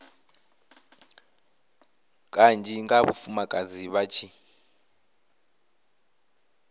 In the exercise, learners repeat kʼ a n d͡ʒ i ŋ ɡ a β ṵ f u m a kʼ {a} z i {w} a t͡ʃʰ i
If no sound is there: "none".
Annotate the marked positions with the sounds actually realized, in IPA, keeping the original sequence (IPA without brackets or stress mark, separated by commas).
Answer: a, β